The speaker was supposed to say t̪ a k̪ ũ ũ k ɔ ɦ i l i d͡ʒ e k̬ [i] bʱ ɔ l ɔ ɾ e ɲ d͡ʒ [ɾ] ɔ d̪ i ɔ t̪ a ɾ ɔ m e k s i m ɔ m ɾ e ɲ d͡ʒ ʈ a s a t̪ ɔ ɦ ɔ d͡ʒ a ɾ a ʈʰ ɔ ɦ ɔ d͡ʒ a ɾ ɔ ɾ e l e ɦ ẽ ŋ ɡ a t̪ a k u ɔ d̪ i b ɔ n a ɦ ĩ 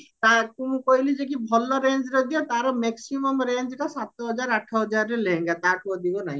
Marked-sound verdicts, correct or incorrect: correct, correct

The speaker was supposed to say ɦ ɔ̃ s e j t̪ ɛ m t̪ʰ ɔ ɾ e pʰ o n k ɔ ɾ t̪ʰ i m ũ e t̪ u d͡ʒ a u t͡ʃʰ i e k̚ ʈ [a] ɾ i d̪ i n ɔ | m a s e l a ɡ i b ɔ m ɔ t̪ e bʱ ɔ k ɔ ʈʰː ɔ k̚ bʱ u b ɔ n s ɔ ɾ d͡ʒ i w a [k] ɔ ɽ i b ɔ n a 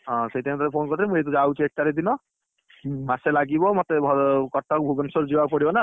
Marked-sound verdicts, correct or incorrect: correct, incorrect

